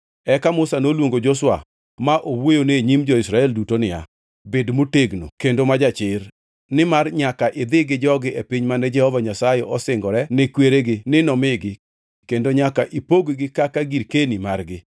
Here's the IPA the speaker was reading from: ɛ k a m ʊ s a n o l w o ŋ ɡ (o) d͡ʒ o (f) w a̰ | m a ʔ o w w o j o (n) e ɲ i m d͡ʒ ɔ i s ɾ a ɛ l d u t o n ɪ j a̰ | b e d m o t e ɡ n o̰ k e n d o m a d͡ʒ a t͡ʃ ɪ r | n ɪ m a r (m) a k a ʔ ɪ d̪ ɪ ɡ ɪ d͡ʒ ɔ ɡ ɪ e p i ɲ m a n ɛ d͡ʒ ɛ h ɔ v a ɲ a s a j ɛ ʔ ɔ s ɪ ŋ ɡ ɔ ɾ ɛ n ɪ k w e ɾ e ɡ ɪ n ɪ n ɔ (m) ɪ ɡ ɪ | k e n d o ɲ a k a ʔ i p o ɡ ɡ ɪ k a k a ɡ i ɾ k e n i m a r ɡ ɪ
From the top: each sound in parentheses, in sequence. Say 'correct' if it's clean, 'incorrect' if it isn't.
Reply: correct, incorrect, correct, incorrect, correct

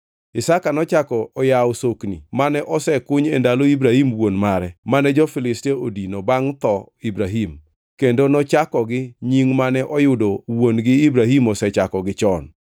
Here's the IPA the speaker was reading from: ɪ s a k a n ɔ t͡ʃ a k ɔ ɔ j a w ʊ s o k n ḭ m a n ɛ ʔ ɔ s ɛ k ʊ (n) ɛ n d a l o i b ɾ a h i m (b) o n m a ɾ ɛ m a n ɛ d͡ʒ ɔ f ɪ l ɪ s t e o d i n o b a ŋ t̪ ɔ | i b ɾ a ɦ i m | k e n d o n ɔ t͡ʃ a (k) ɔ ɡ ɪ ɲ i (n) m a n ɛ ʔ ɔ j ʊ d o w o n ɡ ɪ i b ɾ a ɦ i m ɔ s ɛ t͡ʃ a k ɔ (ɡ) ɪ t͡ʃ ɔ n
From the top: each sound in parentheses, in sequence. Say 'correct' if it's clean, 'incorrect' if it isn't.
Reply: incorrect, incorrect, correct, incorrect, correct

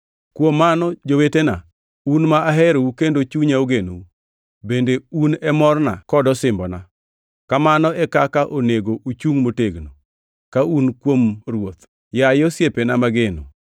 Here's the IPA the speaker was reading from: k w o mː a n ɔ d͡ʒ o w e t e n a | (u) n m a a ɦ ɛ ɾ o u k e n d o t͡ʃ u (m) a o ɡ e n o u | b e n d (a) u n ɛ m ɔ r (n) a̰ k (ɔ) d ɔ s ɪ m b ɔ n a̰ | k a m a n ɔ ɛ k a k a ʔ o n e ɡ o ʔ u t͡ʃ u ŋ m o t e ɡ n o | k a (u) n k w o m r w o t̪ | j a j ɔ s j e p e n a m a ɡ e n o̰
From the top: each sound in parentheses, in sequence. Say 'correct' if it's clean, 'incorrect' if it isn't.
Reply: correct, incorrect, incorrect, correct, correct, correct

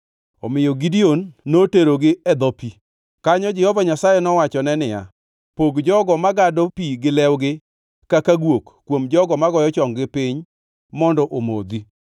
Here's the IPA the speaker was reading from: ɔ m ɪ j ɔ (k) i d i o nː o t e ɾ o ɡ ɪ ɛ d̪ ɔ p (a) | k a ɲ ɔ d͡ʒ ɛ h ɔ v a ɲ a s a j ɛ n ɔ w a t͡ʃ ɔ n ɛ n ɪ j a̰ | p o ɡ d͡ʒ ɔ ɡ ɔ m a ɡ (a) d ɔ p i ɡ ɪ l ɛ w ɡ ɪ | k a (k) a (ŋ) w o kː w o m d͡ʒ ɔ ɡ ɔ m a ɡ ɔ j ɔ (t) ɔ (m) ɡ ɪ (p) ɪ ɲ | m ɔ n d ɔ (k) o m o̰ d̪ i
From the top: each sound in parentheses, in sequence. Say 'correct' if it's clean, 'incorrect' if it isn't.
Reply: incorrect, incorrect, correct, correct, incorrect, incorrect, incorrect, correct, incorrect

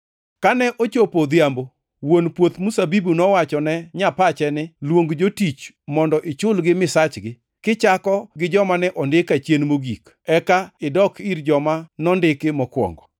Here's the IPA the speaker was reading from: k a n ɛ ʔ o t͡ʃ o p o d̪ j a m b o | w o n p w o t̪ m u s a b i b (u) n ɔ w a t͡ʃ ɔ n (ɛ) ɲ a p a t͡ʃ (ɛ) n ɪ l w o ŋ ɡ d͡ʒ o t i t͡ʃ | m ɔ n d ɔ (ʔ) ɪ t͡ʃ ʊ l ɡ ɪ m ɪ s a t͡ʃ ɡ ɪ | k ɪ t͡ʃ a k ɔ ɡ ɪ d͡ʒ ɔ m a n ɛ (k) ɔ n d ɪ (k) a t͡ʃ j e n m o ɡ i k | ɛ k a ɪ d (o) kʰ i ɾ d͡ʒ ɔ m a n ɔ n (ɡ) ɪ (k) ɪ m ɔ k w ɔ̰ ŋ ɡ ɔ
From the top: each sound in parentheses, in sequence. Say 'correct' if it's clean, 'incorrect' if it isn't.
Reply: correct, correct, correct, correct, incorrect, correct, incorrect, incorrect, correct

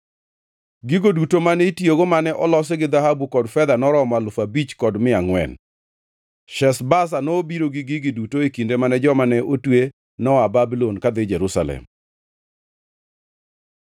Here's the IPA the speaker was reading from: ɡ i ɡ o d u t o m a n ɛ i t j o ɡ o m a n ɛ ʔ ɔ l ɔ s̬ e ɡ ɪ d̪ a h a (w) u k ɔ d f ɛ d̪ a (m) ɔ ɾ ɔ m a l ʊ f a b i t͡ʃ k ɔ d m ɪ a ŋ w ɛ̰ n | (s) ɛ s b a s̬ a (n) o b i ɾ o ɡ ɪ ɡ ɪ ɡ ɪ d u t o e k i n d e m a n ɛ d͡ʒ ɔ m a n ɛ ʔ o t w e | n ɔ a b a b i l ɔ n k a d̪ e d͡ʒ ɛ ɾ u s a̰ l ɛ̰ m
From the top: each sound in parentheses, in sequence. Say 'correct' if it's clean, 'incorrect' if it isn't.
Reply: incorrect, incorrect, incorrect, correct

